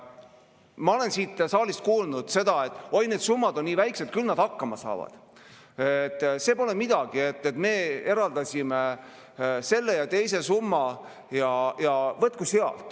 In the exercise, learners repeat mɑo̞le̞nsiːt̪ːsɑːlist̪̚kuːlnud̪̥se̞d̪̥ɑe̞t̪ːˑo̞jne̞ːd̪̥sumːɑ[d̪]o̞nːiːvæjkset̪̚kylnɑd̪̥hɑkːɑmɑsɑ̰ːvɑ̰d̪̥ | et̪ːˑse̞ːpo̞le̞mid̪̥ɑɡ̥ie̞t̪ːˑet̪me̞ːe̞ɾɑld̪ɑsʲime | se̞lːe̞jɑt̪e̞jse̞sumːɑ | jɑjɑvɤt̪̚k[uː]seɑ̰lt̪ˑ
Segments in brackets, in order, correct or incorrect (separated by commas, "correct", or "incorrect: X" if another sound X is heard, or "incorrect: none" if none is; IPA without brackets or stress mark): correct, incorrect: u